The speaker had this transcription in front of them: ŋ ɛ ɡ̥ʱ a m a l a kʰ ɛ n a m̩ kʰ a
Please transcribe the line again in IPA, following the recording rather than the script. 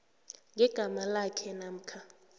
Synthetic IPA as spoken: ŋ ɛ ɡ̥ʱ a m a l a kʰ ɛ n a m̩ kʰ a

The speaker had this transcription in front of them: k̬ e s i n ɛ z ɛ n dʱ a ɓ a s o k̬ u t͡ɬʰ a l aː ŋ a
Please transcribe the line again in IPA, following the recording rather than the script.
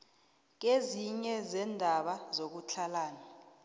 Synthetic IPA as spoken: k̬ e z i ɲ ɛ z ɛ n dʱ a ɓ a z o k̬ u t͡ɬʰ a l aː n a

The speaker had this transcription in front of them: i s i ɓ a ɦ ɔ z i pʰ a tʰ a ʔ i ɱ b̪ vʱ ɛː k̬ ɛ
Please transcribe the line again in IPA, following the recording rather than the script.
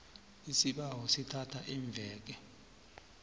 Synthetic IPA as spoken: i s i ɓ a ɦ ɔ s i tʰ a tʰ a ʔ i ɱ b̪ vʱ ɛː k̬ ɛ

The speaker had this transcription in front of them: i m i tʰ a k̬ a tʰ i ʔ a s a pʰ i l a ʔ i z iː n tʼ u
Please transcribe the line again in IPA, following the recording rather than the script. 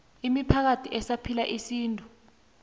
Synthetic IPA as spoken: i m i pʰ a k̬ a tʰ i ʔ ɛ s a pʰ i l a ʔ i s iː n tʼ u

